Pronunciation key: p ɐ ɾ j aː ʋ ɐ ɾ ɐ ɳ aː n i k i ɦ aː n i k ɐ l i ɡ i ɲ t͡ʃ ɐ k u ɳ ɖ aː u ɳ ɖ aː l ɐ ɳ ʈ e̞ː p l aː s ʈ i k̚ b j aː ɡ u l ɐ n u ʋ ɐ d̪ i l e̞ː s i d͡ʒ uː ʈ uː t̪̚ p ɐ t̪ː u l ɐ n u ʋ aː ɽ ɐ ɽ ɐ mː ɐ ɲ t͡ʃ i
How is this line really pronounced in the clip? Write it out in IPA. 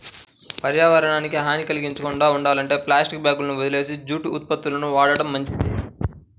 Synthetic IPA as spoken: p ɐ ɾ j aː ʋ ɐ ɾ ɐ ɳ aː n i k i ɦ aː n i k ɐ l i ɡ i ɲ t͡ʃ ɐ k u ɳ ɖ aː u ɳ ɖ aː l ɐ ɳ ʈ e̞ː p l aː s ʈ i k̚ b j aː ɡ u l ɐ n u ʋ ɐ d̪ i l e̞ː s i d͡ʒ uː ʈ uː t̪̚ p ɐ t̪ː u l ɐ n u ʋ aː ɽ ɐ ɽ ɐ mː ɐ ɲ t͡ʃ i

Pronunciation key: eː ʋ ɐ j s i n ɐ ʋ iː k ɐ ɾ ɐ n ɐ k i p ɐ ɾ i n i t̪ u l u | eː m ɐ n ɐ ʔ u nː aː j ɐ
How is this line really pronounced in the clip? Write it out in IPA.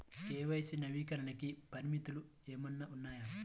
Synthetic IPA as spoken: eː ʋ ɐ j s i n ɐ ʋ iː k ɐ ɾ ɐ n ɐ k i p ɐ ɾ i m i t̪ u l u | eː m ɐ nː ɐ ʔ u nː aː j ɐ

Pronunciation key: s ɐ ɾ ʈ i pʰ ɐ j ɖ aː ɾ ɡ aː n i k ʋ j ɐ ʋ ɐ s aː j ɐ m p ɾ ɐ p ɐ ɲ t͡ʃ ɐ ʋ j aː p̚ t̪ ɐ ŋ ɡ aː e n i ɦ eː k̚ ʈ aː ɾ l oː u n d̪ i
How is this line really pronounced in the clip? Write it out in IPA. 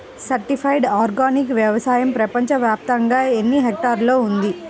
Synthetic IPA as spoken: s ɐ ɾ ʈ i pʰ ɐ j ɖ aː ɾ ɡ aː n i k ʋ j ɐ ʋ ɐ s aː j ɐ m p ɾ ɐ p ɐ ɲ t͡ʃ ɐ ʋ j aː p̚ t̪ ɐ ŋ ɡ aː e nː i ɦ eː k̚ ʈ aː ɾ l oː u n d̪ i

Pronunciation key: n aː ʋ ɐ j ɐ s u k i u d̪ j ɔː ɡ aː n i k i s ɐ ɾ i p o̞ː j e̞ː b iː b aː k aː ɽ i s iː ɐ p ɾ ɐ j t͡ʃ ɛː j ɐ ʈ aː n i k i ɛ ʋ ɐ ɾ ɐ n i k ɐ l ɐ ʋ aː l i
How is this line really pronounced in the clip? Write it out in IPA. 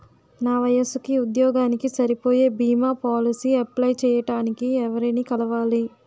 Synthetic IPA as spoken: n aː ʋ ɐ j ɐ s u k i u d̪ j ɔː ɡ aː n i k i s ɐ ɾ i p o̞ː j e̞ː b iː m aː p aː l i s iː ɐ p l ɐ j t͡ʃ ɛː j ɐ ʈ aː n i k i ɛ ʋ ɐ ɾ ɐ n i k ɐ l ɐ ʋ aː l i

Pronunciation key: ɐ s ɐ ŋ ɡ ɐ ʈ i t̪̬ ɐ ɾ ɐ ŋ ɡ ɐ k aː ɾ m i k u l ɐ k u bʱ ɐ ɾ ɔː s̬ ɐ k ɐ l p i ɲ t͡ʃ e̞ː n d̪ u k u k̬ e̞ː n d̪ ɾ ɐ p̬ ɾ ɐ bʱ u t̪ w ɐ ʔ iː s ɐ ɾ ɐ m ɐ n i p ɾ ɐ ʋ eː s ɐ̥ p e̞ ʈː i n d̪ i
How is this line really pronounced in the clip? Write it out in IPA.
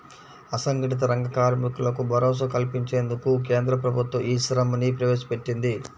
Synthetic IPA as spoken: ɐ s ɐ ŋ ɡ ɐ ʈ i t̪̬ ɐ ɾ ɐ ŋ ɡ ɐ k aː ɾ m i k u l ɐ k u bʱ ɐ ɾ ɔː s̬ ɐ k ɐ l p i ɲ t͡ʃ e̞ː n d̪ u k u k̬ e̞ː n d̪ ɾ ɐ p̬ ɾ ɐ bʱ u t̪ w ɐ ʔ iː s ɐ ɾ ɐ m ɐ n i p ɾ ɐ ʋ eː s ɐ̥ p e̞ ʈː i n d̪ i

